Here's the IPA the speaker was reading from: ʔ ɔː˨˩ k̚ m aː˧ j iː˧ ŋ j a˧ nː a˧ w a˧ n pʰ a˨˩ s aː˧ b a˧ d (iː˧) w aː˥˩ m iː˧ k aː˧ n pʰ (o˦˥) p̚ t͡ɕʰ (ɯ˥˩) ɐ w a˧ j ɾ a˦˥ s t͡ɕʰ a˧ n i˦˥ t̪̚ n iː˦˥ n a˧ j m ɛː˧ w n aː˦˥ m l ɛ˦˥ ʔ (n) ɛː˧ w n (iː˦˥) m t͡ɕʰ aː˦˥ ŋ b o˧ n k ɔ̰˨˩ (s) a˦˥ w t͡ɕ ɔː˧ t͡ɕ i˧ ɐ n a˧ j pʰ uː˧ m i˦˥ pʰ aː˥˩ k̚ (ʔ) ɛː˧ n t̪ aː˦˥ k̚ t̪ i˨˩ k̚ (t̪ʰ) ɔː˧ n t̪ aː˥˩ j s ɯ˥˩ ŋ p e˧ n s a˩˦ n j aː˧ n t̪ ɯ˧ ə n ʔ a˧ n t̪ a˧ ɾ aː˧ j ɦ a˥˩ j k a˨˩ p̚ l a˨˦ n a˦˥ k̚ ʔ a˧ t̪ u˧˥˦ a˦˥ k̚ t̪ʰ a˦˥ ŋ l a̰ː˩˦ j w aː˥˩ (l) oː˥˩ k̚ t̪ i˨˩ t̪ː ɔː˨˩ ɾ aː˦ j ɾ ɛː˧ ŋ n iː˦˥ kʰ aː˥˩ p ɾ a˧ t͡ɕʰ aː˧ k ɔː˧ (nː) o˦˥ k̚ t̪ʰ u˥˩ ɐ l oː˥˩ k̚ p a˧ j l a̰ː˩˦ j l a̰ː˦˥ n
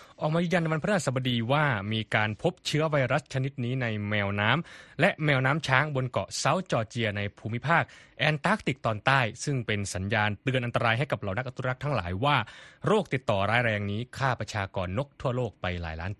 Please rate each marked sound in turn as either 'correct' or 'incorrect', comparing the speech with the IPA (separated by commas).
correct, correct, incorrect, incorrect, incorrect, correct, correct, incorrect, incorrect, correct